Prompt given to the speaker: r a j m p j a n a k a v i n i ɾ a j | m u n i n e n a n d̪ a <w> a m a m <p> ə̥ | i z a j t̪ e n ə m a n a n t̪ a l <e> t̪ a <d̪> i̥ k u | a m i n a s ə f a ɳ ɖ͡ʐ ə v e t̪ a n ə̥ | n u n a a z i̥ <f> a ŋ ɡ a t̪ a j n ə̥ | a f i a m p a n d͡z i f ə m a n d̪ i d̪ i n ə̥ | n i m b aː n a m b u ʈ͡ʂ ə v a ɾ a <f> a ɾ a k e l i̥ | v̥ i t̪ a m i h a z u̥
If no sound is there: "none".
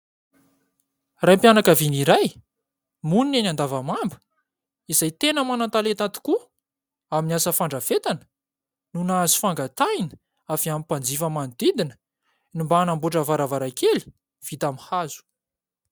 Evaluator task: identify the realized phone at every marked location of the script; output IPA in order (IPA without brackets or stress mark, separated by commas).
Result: v, b, e, t̪, f, v